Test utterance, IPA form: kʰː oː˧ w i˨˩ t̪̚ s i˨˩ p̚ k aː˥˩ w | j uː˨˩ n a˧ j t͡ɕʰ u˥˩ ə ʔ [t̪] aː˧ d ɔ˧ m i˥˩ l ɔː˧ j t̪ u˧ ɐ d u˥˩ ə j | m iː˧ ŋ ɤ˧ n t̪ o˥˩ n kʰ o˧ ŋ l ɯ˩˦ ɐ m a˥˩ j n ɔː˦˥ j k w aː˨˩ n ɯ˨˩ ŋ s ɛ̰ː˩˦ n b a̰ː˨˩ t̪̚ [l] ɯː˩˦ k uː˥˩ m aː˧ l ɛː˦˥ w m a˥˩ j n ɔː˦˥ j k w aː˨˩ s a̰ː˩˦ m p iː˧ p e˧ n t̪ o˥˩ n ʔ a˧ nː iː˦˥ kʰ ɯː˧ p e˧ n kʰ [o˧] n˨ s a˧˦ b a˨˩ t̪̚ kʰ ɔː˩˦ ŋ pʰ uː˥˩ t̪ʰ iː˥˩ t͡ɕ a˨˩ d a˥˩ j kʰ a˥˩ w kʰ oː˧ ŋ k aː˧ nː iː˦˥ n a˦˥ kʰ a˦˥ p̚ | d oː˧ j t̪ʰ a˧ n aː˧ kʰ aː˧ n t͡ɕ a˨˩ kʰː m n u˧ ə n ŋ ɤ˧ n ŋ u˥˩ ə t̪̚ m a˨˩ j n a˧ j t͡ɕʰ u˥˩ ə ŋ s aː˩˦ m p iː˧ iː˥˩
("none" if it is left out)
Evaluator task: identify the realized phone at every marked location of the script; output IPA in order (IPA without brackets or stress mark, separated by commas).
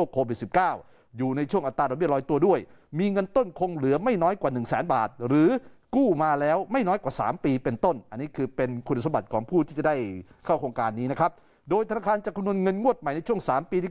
t̪, ɾ, u˧